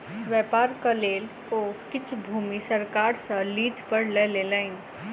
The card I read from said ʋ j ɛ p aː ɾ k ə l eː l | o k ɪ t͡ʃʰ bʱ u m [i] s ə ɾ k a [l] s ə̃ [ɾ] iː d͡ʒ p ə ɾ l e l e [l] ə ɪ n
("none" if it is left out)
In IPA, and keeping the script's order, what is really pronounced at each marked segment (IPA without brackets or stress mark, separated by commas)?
i, ɾ, l, l